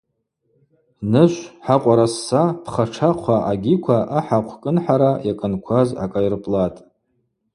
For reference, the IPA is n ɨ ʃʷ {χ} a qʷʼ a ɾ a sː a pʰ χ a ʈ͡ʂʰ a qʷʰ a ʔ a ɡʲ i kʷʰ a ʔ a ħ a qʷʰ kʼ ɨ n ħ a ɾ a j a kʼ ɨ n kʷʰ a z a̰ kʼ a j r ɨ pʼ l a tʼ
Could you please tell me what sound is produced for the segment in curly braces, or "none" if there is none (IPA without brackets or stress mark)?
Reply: ħ